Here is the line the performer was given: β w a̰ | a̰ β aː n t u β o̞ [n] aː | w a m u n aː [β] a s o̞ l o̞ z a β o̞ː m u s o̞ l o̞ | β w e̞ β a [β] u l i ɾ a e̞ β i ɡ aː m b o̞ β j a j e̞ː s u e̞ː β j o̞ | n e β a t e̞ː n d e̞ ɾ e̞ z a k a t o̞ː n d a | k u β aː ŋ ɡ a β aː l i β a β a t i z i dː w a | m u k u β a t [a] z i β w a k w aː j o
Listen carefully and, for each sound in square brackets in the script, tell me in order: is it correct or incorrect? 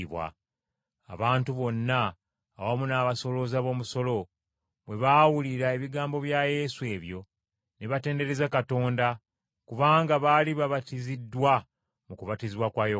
incorrect, correct, incorrect, incorrect

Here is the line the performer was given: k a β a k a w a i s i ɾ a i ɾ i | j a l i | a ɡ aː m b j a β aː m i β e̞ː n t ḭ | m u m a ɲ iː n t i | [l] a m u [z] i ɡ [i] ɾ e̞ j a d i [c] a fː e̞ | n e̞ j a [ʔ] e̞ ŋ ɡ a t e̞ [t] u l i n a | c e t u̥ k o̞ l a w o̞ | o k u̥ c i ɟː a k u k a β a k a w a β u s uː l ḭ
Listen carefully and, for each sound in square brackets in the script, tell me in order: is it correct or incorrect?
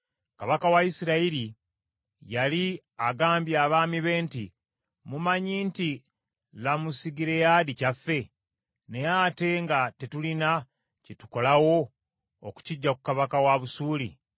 correct, incorrect, correct, correct, incorrect, correct

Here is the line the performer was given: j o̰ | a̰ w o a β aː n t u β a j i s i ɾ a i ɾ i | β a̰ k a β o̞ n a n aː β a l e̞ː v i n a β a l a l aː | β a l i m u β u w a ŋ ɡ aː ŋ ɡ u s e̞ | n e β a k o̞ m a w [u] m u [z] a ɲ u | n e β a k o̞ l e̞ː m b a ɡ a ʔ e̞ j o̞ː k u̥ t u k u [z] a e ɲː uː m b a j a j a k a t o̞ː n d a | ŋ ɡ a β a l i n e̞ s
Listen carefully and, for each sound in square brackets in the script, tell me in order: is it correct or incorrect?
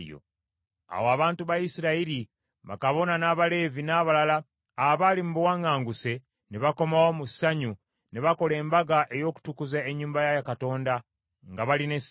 incorrect, incorrect, correct

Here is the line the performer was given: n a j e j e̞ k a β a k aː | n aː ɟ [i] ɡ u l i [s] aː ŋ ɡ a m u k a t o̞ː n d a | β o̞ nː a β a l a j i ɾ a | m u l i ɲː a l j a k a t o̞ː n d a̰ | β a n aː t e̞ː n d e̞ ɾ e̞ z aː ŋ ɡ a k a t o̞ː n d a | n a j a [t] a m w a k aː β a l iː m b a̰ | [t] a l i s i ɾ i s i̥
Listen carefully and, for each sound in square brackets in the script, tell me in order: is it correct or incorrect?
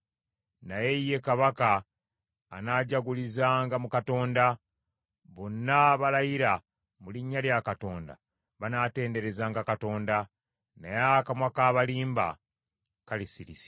incorrect, incorrect, incorrect, incorrect

